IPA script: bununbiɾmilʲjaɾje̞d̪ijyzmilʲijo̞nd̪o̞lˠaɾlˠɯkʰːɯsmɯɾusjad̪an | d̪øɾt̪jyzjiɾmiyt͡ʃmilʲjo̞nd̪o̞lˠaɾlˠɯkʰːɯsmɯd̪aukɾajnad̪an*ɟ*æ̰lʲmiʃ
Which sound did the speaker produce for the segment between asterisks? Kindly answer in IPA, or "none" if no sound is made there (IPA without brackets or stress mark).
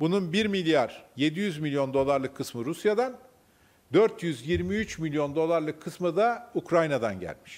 ɟ